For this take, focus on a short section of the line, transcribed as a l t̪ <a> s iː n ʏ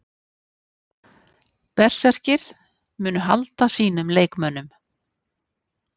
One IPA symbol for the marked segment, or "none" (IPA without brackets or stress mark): a